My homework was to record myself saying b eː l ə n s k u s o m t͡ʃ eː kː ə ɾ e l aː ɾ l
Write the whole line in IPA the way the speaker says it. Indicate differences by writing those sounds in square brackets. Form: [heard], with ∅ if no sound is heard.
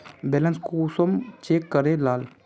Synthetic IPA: b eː l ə n s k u s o m t͡ʃ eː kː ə ɾ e l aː [∅] l

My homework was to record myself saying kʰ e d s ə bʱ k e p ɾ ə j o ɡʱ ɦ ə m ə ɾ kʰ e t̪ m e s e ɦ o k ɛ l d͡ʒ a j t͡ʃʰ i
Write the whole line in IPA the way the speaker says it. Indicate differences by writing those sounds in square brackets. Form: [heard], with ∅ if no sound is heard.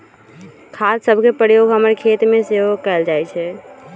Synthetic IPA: kʰ [a] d s ə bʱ k e p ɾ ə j o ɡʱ ɦ ə m ə ɾ kʰ e t̪ m e s e ɦ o k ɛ l d͡ʒ a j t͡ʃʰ [ɛ]

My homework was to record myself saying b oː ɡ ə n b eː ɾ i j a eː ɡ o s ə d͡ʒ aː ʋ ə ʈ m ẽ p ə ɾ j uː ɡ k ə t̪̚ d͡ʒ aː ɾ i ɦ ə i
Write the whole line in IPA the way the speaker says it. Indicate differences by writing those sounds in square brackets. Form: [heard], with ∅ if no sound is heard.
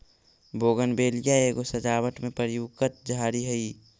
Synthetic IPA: b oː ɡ ə n b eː [l] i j a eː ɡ o s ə d͡ʒ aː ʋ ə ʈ m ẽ p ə ɾ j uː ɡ k ə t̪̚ d͡ʒ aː ɾ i ɦ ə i

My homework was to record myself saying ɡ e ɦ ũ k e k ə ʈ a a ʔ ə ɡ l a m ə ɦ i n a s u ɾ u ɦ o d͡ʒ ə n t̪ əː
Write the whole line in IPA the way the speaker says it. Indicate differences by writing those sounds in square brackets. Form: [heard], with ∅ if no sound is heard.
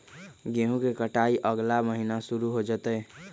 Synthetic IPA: ɡ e ɦ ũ k e k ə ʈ a [i] ʔ ə ɡ l a m ə ɦ i n a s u ɾ u ɦ o d͡ʒ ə [∅] t̪ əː

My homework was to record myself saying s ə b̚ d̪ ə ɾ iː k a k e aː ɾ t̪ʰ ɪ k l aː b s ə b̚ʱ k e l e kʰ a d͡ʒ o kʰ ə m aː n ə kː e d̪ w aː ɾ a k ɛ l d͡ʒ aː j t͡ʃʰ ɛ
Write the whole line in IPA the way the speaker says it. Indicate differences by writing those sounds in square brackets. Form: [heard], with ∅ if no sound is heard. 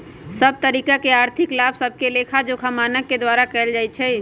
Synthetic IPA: s ə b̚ [t̪] ə ɾ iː k a k e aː ɾ t̪ʰ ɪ k l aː b s ə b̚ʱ k e l e kʰ a d͡ʒ o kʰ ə m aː n ə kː e d̪ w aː ɾ a k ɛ l d͡ʒ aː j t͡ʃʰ ɛ

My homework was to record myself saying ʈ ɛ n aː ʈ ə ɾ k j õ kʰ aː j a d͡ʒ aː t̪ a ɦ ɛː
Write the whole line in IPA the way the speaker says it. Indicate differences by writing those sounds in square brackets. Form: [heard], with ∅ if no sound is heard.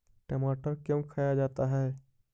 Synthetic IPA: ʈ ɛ [m] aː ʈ ə ɾ k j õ kʰ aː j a d͡ʒ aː t̪ a ɦ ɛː

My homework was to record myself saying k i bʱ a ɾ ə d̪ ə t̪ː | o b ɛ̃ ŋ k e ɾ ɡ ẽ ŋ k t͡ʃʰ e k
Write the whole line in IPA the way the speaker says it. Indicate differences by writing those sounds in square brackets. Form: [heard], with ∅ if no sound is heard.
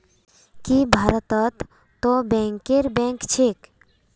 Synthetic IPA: k i bʱ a ɾ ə [t̪] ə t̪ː | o b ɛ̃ ŋ k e ɾ [b] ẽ ŋ k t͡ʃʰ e k

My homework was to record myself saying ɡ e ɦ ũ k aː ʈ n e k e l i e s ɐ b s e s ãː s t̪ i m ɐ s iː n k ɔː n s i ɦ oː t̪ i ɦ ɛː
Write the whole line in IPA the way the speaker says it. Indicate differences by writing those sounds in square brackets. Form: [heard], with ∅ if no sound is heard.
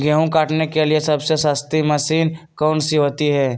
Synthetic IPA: ɡ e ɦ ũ k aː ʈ n e k e l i e s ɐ b s e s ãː s t̪ i m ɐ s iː n k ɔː n s i ɦ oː t̪ i ɦ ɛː

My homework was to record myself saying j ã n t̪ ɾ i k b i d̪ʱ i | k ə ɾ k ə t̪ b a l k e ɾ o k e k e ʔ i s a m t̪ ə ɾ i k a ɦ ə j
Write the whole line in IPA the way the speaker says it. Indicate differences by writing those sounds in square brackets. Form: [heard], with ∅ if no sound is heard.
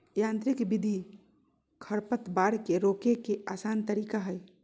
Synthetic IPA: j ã n t̪ ɾ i k b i d̪ʱ i | [kʰ] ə ɾ [p] ə t̪ b a [ɽ] k e ɾ o k e k e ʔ [a] s a [n] t̪ ə ɾ i k a ɦ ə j

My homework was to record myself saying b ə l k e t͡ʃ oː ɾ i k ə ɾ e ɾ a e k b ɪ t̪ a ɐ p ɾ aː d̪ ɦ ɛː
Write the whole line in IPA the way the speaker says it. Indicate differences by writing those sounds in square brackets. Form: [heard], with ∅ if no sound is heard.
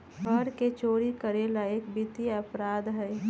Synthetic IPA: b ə [ɾ] k e t͡ʃ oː ɾ i k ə ɾ e [l] a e k b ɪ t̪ [i] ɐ p ɾ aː d̪ ɦ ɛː

